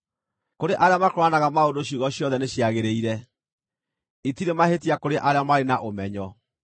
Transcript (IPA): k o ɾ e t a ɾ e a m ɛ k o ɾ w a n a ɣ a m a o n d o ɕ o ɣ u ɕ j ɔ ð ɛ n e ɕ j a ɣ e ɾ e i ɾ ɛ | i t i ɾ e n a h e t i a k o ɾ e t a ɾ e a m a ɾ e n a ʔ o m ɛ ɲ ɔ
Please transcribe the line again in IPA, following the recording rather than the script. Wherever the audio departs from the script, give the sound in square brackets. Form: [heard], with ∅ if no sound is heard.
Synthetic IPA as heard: k o ɾ e [ʔ] a ɾ e a m [a] k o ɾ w a n a ɣ a m a o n d o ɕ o ɣ [ɔ] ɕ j ɔ ð ɛ n e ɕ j a ɣ e ɾ e i ɾ ɛ | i t i ɾ e [m] a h e t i a k o ɾ e [ʔ] a ɾ e a m a ɾ e n a ʔ o m ɛ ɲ ɔ